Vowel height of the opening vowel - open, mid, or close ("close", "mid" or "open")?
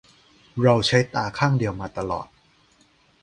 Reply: open